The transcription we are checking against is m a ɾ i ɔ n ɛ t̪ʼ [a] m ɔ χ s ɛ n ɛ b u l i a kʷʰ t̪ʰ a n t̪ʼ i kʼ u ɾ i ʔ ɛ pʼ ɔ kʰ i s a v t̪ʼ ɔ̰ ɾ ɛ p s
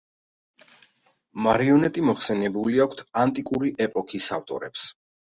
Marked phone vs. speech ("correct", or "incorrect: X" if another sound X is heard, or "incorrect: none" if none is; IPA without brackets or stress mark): incorrect: i